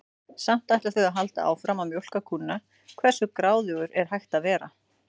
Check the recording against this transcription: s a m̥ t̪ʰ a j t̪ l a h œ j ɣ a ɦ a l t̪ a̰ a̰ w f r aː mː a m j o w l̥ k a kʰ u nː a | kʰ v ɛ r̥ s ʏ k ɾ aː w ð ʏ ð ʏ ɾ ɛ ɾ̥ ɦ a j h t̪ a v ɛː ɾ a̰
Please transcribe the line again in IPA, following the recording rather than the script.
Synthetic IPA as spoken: s a m̥ t̪ a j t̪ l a θ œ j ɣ a ɦ a l t̪ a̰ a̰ w f ɾ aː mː a m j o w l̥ k a kʰ u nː a | kʰ v ɛ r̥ s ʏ k ɾ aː w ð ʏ ɣ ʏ ɾ ɛ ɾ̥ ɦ a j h t̪ a v ɛː ɾ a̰